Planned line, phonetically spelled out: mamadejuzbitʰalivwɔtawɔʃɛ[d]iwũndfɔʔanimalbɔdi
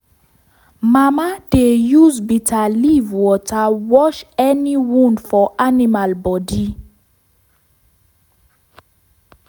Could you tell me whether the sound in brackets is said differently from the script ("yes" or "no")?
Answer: yes